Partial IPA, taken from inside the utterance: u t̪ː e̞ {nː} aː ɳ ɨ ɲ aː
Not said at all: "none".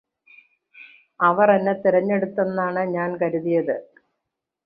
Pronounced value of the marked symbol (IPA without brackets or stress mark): nː